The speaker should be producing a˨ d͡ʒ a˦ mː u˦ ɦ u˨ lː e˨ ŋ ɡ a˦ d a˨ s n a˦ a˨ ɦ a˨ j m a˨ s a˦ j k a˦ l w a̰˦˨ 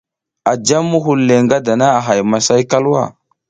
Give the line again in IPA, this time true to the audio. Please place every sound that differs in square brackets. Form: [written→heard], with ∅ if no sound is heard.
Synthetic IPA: a˨ d͡ʒ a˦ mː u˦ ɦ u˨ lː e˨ ŋ ɡ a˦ d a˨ [s→∅] n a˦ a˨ ɦ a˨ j m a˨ s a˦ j k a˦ l w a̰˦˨